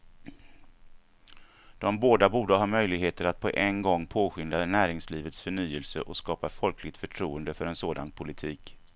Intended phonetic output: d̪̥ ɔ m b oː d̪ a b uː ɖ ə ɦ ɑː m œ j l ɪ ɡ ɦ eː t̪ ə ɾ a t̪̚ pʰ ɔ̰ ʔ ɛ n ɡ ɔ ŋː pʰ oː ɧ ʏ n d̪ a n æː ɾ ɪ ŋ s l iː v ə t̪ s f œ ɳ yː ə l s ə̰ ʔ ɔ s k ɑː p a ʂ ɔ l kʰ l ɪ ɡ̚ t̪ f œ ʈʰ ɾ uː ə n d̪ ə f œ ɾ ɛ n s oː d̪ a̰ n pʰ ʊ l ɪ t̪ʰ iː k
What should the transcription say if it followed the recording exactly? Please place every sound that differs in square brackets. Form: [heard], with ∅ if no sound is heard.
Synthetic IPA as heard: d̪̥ ɔ m b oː d̪ a b uː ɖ ə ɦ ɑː m œ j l ɪ ɡ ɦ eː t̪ ə ɾ a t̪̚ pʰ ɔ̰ ʔ ɛ n ɡ ɔ ŋː pʰ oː ɧ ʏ n d̪ a n æː ɾ ɪ ŋ s l iː v ə t̪ s f œ ɳ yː ə l s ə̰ ʔ ɔ s k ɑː p a [f] ɔ l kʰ l ɪ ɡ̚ t̪ f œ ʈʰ ɾ uː ə n d̪ ə f œ ɾ ɛ n s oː d̪ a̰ n pʰ ʊ l ɪ t̪ʰ iː k